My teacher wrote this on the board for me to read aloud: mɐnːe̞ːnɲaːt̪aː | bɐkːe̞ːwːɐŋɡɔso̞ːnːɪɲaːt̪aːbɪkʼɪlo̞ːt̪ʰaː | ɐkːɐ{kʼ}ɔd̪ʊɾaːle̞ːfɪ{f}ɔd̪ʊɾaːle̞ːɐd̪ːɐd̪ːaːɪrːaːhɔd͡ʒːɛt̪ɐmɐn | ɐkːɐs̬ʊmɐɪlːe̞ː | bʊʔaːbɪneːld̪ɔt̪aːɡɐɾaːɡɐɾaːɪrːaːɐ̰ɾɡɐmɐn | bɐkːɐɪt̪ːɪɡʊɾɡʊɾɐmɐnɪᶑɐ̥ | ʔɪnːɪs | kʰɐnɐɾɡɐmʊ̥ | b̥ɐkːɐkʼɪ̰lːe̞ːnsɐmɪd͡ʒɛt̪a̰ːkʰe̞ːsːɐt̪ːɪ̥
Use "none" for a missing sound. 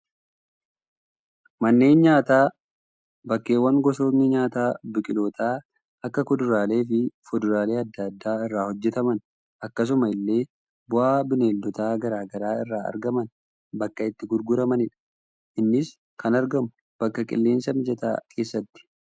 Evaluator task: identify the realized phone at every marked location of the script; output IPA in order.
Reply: k, f

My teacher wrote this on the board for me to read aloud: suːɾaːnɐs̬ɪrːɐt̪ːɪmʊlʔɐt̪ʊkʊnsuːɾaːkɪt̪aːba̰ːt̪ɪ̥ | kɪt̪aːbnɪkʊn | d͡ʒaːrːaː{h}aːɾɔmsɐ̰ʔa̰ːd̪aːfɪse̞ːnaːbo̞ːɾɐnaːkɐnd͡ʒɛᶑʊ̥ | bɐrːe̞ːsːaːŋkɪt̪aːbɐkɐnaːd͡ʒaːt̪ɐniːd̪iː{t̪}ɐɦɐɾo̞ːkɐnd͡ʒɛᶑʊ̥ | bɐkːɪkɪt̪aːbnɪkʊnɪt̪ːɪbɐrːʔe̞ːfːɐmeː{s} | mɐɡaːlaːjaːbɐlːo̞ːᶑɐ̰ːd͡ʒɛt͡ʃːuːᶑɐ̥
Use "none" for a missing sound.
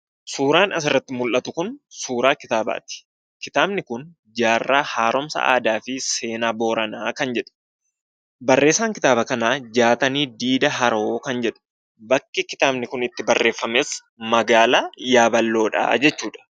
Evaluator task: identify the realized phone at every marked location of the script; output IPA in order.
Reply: h, d̪, s

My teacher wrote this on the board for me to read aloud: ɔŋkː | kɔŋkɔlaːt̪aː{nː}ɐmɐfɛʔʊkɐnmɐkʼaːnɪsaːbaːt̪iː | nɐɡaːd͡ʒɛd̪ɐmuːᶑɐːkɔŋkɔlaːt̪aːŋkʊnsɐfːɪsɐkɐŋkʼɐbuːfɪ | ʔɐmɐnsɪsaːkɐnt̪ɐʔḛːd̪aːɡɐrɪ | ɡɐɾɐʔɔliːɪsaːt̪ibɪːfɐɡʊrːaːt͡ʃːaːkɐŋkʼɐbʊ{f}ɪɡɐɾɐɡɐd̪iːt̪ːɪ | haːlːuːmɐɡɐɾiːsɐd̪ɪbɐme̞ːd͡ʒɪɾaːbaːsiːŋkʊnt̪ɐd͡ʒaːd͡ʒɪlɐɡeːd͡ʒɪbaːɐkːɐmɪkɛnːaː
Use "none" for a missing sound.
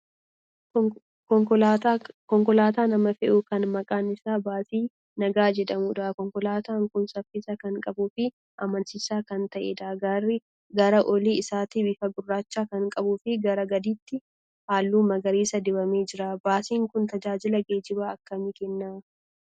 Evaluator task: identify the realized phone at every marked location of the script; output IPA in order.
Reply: n, f

